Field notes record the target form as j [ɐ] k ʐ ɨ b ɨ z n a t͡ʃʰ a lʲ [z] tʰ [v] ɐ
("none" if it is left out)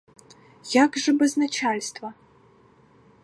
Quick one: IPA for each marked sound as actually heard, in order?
a, s, v

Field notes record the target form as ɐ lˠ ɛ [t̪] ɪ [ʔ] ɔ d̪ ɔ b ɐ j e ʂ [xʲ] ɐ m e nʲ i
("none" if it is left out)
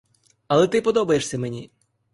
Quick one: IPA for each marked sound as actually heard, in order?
t̪, p, sʲ

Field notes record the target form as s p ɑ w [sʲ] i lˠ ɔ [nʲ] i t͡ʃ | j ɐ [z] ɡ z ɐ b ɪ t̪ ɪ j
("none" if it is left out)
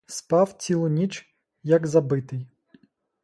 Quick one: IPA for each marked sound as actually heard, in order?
t͡sʲ, nʲ, none

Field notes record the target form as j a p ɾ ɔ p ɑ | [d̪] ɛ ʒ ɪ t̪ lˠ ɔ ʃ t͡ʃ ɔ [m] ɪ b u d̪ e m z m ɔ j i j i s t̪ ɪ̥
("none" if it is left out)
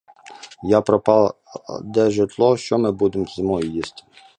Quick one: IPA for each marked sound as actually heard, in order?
d̪, m

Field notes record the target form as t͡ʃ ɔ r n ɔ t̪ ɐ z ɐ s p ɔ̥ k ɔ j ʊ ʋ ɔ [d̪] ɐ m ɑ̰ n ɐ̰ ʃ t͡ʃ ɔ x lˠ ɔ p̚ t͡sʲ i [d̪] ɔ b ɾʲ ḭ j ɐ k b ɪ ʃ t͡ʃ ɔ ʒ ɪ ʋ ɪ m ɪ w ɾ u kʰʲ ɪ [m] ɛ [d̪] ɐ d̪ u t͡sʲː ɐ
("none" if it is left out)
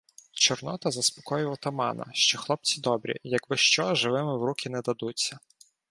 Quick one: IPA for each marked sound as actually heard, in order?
t̪, d̪, n, d̪

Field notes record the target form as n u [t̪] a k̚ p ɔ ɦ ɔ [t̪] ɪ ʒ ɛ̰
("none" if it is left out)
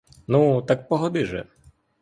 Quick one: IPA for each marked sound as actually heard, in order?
t̪, d̪

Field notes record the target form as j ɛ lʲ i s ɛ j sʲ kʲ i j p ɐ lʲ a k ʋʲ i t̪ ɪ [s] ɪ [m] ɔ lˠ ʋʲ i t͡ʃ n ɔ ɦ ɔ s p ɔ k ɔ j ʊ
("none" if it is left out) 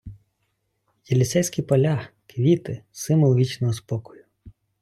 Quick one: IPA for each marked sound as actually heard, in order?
s, m

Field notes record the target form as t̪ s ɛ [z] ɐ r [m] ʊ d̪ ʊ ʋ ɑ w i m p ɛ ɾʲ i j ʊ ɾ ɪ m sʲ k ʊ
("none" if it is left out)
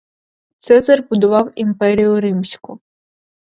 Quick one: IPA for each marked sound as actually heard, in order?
z, b

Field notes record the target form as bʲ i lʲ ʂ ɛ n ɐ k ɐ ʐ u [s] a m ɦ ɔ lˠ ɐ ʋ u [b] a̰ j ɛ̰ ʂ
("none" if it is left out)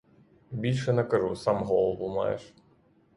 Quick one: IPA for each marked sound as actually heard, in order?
s, m

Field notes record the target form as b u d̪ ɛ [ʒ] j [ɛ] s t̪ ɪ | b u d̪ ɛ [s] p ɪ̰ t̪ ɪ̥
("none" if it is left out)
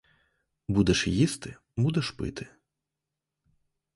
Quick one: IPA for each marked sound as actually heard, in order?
ʃ, i, ʃ

